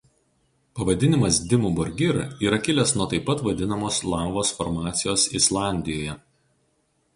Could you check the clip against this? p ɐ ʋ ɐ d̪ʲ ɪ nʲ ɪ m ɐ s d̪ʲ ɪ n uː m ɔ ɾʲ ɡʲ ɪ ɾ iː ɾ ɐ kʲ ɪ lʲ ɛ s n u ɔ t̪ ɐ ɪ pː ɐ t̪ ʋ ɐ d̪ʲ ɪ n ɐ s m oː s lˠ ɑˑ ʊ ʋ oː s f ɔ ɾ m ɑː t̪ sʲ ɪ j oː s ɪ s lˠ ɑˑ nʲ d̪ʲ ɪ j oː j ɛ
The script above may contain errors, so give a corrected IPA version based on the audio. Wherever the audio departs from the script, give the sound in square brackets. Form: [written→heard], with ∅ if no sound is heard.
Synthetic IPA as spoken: p ɐ ʋ ɐ d̪ʲ ɪ nʲ ɪ m ɐ s d̪ʲ ɪ [n→m] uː [m→b] ɔ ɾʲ ɡʲ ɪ ɾ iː ɾ ɐ kʲ ɪ lʲ ɛ s n u ɔ t̪ ɐ ɪ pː ɐ t̪ ʋ ɐ d̪ʲ ɪ n ɐ [s→∅] m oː s lˠ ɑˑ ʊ ʋ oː s f ɔ ɾ m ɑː t̪ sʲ ɪ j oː s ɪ s lˠ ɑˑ nʲ d̪ʲ ɪ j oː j ɛ